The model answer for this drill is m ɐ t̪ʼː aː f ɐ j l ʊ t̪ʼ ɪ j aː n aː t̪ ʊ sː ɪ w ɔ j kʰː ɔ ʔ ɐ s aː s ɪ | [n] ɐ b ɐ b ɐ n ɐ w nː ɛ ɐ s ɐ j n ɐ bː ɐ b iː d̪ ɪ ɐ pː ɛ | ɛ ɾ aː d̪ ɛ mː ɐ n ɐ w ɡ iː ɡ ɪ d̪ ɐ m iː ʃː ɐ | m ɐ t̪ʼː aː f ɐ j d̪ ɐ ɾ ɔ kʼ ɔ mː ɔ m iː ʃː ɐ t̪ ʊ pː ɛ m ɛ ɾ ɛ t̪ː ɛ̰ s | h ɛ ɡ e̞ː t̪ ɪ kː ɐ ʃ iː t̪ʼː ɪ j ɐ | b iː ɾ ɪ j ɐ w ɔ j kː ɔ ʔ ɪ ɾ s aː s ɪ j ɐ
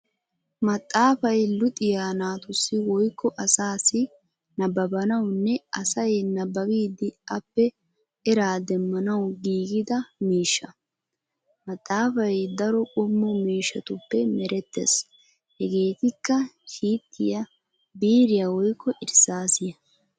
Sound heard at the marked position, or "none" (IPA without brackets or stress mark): n